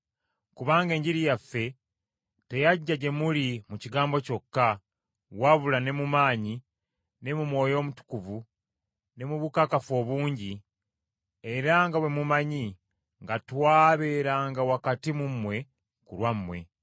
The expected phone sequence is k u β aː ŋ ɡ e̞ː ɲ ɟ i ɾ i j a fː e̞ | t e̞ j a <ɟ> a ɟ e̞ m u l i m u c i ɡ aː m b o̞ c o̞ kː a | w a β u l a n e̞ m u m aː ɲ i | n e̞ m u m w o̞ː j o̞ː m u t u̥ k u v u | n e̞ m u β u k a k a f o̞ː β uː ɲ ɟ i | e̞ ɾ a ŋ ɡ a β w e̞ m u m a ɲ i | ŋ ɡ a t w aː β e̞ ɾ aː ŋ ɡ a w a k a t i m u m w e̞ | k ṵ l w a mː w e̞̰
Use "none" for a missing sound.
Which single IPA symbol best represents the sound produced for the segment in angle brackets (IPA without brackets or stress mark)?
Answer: ɟː